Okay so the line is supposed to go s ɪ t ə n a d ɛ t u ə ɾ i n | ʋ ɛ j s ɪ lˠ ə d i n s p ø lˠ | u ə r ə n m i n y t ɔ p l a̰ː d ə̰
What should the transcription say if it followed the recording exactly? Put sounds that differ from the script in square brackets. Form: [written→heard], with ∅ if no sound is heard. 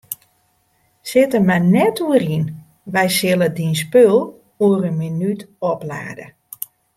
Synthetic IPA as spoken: s ɪ t ə [n→m] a [d→n] ɛ t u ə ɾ i n | ʋ ɛ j s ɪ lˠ ə d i n s p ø lˠ | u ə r ə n m i n y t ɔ p l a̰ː d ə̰

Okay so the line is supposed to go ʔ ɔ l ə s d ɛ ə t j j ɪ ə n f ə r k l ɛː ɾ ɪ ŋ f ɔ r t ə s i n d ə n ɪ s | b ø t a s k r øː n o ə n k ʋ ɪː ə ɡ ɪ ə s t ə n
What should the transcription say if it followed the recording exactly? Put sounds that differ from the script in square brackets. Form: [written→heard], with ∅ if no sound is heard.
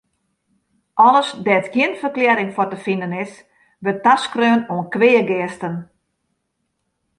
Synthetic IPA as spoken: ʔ ɔ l ə s d ɛ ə t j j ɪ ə n f ə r k l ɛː ɾ ɪ ŋ f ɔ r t ə [s→f] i n d ə n ɪ s | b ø t a s k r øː n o ə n k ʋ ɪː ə ɡ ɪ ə s t ə n

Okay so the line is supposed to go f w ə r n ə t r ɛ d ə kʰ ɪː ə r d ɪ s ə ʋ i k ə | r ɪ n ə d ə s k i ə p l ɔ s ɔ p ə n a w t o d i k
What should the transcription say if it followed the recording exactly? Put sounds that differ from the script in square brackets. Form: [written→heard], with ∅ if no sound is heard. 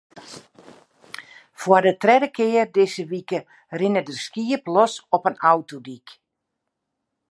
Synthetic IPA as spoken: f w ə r [n→d] ə t r ɛ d ə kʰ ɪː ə r d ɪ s ə ʋ i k ə | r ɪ n ə d ə s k i ə p l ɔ s ɔ p ə n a w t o d i k

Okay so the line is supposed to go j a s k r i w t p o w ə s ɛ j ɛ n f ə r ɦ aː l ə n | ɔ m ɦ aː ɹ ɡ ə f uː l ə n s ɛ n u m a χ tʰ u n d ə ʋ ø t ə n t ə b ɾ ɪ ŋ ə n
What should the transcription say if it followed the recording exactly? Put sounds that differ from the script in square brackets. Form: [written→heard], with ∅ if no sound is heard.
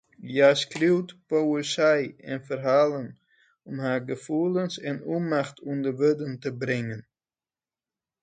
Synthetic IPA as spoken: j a s k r i w t p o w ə s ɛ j ɛ n f ə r ɦ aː l ə n | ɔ m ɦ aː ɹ ɡ ə f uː l ə n s ɛ n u m a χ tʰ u n d ə ʋ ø [t→d] ə n t ə b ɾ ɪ ŋ ə n

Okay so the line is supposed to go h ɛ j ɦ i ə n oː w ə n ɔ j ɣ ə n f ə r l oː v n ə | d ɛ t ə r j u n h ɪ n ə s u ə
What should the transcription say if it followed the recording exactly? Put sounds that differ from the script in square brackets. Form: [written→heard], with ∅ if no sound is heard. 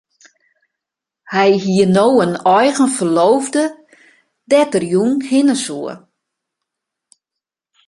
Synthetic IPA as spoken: h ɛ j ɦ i ə n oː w ə n ɔ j ɣ ə n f ə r l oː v [n→d] ə | d ɛ t ə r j u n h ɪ n ə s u ə

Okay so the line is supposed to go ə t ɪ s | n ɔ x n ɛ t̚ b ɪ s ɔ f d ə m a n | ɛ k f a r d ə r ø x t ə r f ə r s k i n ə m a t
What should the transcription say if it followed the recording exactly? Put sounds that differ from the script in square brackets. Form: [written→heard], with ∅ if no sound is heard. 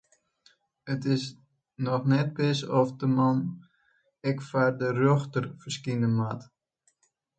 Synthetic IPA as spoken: ə t ɪ s | n ɔ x n ɛ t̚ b ɪ s ɔ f d ə m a n | ɛ k f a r d ə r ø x t ə r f ə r s k i n ə m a t

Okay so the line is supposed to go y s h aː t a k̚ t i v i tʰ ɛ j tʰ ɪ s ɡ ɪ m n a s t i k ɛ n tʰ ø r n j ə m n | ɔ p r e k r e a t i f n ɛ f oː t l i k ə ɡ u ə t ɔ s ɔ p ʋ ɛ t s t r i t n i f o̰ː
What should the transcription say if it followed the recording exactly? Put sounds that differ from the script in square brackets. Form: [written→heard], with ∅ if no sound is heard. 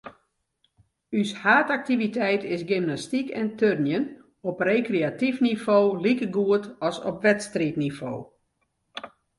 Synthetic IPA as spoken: y s h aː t a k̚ t i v i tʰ ɛ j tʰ ɪ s ɡ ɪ m n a s t i k ɛ n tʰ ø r n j ə [m→∅] n | ɔ p r e k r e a t i f n [ɛ→i] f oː [t→∅] l i k ə ɡ u ə t ɔ s ɔ p ʋ ɛ t s t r i t n i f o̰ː

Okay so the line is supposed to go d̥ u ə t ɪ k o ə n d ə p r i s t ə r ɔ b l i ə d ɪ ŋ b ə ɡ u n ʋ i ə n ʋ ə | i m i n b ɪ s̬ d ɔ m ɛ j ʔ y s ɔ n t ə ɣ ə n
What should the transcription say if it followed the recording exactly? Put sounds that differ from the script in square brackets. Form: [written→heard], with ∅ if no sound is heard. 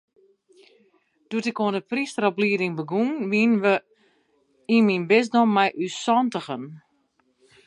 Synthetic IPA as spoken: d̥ u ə t ɪ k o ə n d ə p r i s t ə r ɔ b l i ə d ɪ ŋ b ə ɡ u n ʋ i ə n ʋ ə | i m i n b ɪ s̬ d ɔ m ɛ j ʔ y s ɔ n t ə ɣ ə n

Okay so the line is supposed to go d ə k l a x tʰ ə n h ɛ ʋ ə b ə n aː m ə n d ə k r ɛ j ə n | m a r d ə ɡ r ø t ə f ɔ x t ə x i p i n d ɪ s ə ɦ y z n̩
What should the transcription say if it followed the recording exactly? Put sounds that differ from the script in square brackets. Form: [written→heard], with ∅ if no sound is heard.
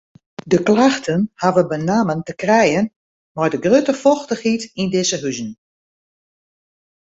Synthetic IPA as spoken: d ə k l a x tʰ ə n h [ɛ→a] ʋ ə b ə n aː m ə n [d→t] ə k r ɛ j ə n | m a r d ə ɡ r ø t ə f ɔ x t ə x i [p→t] i n d ɪ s ə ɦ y z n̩

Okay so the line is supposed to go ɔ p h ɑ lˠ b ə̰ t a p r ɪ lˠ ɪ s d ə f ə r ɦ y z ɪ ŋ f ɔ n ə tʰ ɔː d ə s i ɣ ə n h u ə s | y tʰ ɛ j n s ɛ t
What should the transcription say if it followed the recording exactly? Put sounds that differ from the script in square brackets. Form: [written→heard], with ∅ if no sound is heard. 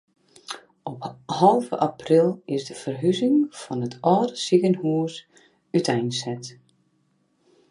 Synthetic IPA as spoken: ɔ p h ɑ lˠ [b→v] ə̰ [t→ʔ] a p r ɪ lˠ ɪ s d ə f ə r ɦ y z ɪ ŋ f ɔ n ə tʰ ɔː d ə s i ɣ ə n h u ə s | y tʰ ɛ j n s ɛ t

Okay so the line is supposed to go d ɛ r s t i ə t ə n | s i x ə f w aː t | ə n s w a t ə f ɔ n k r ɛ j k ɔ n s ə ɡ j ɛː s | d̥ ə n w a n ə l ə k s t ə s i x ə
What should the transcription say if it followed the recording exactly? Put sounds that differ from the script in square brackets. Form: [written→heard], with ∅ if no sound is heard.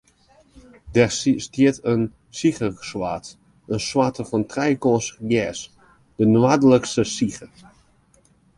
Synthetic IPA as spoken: d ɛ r s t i ə t ə n | s i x ə [f→s] w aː t | ə n s w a t ə f ɔ n [k→t] r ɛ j k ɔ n s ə ɡ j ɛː s | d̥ ə n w a [n→d] ə l ə k s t ə s i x ə

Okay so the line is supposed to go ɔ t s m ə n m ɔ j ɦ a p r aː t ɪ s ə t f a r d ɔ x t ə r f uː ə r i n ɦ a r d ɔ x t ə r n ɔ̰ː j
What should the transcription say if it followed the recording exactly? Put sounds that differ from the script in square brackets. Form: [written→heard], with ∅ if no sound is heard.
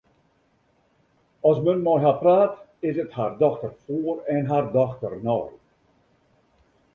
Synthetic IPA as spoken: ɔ [t→∅] s m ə n m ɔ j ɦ a p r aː t ɪ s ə t [f→h] a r d ɔ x t ə r f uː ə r [i→ɛ] n ɦ a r d ɔ x t ə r n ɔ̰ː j

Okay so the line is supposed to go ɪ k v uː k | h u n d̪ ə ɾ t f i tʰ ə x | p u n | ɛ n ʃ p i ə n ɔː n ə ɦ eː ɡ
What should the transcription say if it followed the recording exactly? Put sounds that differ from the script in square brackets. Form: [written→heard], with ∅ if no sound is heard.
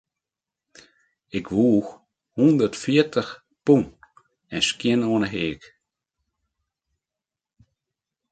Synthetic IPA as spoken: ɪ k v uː [k→x] | h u n d̪ ə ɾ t f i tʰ ə x | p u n | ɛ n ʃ [p→k] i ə n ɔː n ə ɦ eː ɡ

